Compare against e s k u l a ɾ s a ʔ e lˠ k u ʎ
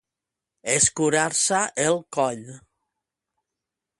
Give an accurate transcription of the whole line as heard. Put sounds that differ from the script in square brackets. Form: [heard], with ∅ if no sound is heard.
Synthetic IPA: e s k u [ɾ] a ɾ s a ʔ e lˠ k [ɔ] ʎ